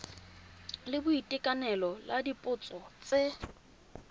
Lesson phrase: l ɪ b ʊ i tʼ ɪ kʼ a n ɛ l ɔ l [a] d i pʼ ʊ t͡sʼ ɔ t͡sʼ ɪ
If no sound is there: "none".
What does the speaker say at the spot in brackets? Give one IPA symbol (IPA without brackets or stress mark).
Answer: a